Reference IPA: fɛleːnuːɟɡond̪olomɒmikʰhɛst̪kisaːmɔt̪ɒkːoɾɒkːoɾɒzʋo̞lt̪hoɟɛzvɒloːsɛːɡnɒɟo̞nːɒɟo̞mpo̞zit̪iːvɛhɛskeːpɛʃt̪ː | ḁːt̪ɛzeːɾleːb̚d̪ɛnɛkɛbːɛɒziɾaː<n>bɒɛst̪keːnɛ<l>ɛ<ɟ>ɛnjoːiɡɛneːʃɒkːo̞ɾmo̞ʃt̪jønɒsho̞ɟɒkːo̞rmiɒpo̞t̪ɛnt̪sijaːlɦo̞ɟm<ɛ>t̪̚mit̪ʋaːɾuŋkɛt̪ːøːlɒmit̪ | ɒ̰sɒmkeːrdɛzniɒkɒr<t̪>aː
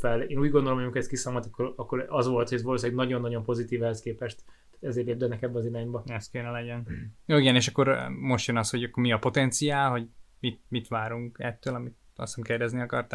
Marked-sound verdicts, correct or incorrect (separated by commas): incorrect, correct, correct, incorrect, correct